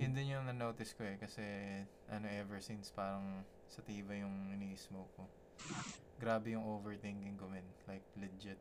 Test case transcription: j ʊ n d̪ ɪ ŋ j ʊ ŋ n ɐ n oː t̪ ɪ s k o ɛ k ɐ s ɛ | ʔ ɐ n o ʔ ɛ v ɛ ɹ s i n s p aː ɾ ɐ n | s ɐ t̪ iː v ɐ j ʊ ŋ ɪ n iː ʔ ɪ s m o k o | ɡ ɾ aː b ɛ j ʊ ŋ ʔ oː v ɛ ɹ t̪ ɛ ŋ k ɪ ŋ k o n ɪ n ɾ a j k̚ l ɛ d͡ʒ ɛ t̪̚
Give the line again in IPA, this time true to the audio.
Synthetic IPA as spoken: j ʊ n d̪ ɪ n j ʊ ŋ n ɐ n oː t̪ ɪ s k o ɛ k ɐ s ɛ | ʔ ɐ n o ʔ ɛ v ɛ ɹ s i n s p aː ɾ ɐ ŋ | s ɐ t̪ iː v ɐ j ʊ ŋ ɪ n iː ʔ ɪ s m o k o | ɡ ɾ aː b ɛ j ʊ ŋ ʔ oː v ɛ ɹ t̪ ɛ ŋ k ɪ ŋ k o m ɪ n l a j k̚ l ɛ d͡ʒ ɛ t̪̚